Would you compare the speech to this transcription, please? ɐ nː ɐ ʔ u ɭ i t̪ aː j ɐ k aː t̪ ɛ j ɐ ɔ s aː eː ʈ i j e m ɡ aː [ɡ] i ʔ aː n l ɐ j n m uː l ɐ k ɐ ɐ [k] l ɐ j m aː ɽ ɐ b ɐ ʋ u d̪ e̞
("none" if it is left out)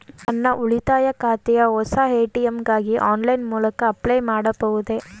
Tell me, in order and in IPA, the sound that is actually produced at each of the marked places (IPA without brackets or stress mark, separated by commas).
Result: ɡ, p